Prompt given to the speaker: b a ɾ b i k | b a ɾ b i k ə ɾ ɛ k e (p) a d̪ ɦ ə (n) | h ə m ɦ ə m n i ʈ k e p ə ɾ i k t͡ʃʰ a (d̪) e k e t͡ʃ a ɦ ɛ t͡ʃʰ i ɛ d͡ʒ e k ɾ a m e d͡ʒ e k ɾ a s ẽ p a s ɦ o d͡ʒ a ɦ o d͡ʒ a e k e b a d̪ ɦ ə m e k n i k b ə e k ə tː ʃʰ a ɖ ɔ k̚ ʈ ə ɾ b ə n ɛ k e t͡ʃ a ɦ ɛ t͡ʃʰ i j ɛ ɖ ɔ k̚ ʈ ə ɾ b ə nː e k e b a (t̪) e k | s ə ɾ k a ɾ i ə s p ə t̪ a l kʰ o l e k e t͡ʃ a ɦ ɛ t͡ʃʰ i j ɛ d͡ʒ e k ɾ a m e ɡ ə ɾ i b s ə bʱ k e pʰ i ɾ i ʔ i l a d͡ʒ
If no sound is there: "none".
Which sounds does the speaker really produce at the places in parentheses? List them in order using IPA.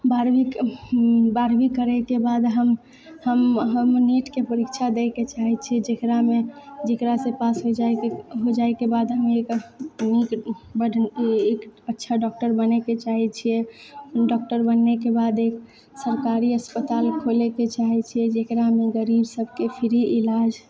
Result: b, m, d̪, d̪

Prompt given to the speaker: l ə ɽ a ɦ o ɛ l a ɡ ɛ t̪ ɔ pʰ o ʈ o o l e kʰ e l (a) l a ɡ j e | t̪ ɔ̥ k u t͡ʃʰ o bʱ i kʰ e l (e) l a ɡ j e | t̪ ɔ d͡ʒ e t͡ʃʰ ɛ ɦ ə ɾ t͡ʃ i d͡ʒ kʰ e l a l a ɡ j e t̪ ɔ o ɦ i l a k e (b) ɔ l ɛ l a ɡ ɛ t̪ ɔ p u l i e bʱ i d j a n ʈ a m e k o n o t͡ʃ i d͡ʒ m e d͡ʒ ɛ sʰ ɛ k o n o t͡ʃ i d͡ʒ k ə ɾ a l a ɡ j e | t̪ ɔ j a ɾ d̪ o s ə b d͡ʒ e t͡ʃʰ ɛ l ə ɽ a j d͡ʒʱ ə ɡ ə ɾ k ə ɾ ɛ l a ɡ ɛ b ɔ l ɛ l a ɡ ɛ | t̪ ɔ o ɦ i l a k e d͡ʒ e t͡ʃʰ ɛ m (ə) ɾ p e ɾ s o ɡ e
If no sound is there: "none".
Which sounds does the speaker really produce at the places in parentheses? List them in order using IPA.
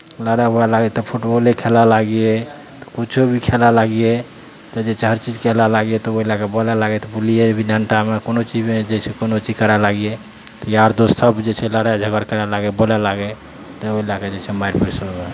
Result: a, a, b, a

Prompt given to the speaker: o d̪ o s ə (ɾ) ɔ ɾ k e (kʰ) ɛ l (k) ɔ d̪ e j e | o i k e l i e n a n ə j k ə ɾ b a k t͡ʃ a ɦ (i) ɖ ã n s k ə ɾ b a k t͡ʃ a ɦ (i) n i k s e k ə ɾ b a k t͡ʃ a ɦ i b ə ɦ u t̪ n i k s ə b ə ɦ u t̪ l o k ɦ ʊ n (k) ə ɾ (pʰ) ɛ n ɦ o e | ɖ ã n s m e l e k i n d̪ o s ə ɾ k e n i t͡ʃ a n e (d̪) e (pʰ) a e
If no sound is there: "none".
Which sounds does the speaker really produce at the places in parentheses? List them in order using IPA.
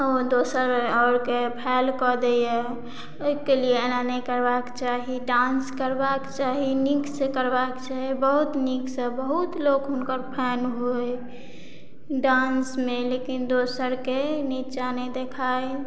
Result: ɾ, pʰ, k, i, i, k, pʰ, d̪, kʰ

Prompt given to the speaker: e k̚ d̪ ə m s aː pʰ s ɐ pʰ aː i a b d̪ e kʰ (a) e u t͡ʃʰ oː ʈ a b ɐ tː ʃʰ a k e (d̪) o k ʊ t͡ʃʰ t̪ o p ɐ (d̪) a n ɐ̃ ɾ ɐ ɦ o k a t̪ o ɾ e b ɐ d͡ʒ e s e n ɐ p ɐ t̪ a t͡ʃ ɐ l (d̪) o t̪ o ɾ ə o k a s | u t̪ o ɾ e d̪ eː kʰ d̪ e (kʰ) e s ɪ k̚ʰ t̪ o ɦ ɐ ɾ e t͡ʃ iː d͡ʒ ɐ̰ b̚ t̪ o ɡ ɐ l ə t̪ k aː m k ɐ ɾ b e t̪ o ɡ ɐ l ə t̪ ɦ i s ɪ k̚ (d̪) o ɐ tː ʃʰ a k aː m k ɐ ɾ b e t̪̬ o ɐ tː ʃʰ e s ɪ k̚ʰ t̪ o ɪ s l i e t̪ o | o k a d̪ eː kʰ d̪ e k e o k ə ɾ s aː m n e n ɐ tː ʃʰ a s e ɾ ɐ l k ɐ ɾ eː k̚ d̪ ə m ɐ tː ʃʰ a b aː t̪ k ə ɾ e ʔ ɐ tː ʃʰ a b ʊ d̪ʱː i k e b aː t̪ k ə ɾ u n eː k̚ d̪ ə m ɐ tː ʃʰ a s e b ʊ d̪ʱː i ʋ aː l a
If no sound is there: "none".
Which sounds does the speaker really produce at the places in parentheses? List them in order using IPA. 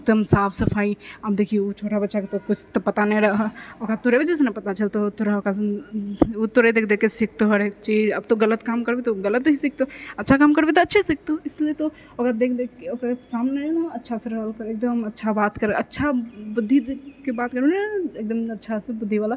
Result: i, t̪, t̪, t̪, k, t̪

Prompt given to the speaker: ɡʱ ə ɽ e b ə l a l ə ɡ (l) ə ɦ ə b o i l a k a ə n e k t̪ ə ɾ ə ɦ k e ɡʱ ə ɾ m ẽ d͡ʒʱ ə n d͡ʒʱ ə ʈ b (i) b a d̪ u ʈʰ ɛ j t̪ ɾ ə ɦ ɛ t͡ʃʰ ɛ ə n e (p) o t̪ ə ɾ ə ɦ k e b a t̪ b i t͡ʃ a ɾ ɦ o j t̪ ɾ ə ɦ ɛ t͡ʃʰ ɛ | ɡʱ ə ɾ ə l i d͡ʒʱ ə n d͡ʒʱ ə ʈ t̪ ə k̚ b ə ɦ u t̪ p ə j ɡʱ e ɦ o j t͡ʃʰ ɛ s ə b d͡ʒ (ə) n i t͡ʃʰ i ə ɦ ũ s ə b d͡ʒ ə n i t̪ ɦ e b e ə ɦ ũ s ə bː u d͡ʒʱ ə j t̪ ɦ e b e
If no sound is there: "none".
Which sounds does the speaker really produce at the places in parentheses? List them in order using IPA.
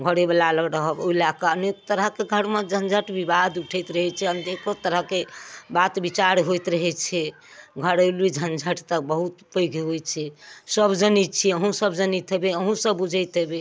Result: ɾ, i, k, ə

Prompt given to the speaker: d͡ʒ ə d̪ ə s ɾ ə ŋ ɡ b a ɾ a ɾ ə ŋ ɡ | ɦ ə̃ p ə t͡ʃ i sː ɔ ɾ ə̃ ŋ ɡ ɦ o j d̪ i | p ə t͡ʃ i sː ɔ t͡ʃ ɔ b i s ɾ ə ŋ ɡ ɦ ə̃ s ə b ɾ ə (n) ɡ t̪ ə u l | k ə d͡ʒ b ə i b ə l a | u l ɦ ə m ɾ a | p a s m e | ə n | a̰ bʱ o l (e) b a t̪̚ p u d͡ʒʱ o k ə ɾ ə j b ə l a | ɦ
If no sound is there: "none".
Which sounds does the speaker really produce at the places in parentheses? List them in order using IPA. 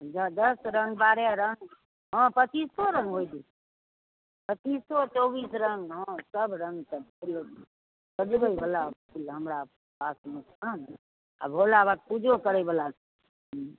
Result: ŋ, a

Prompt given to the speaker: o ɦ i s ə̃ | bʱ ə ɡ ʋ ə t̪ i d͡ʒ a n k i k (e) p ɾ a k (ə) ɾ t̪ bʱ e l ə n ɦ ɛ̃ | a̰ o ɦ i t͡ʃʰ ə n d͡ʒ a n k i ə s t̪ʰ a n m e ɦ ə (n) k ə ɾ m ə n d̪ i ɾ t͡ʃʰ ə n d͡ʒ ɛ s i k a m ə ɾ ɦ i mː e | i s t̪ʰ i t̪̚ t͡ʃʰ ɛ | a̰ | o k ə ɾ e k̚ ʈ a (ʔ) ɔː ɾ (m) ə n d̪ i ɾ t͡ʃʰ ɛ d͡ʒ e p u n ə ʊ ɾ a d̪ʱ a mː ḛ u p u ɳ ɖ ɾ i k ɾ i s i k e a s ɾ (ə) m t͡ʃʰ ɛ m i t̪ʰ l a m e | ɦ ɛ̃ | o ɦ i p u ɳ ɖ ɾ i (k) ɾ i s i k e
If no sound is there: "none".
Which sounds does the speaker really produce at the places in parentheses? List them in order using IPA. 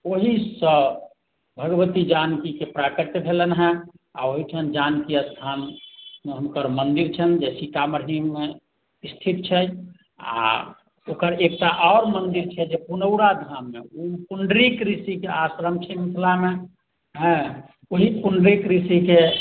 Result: e, ə, m, ʔ, m, ə, k

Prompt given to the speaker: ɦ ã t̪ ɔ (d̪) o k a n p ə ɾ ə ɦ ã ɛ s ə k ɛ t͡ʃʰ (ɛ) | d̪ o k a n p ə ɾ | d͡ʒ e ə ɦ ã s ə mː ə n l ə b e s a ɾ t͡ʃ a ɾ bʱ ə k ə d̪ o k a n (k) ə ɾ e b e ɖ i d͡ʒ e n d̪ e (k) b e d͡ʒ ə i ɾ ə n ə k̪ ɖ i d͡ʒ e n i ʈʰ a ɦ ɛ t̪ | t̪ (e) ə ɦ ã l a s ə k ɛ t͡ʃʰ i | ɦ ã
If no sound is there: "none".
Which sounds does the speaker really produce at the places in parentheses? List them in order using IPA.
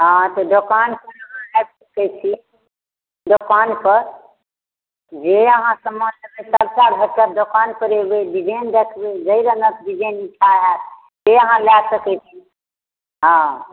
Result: d̪, i, p, kʰ, e

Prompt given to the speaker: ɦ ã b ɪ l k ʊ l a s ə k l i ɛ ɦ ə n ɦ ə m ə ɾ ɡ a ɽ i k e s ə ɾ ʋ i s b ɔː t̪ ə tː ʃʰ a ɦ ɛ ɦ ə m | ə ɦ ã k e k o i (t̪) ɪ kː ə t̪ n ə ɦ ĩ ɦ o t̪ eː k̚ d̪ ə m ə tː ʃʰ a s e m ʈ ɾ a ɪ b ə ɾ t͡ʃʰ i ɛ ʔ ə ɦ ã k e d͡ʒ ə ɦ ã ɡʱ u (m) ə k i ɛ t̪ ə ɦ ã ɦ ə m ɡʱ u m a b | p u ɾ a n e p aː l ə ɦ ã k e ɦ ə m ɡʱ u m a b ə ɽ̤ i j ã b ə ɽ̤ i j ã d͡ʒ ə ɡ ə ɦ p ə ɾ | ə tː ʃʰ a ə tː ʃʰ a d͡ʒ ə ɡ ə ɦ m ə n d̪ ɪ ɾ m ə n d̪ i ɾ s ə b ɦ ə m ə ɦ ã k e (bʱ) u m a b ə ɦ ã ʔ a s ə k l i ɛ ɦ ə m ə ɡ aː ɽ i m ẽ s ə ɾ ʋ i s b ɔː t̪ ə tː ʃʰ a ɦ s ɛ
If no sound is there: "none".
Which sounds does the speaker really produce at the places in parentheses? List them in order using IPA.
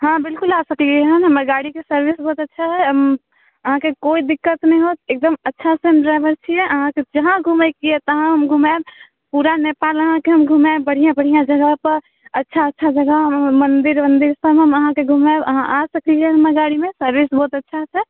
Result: d̪, m, ɡʱ

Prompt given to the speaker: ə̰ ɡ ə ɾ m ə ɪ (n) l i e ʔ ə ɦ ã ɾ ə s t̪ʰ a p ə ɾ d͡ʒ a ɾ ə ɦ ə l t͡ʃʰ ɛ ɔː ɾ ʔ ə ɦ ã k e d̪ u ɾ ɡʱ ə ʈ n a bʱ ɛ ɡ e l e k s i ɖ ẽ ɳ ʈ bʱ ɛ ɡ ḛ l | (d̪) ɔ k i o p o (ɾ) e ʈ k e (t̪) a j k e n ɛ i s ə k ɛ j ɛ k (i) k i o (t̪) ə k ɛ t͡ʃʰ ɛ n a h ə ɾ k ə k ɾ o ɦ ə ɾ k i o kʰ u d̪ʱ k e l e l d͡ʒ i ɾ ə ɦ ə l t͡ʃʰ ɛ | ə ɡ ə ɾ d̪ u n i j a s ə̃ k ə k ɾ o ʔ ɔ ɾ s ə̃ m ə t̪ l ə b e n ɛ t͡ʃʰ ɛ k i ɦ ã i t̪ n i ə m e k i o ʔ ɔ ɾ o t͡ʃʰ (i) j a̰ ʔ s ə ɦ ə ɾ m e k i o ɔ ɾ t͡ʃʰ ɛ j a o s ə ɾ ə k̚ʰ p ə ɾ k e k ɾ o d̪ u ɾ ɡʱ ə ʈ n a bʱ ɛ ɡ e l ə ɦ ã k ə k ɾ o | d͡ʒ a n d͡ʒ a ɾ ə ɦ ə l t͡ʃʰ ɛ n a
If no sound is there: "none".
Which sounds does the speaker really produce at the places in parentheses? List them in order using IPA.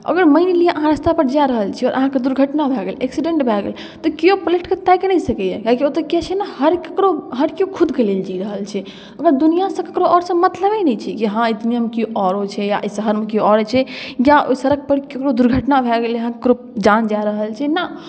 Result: n, t̪, l, t̪, a, t̪, ɛ

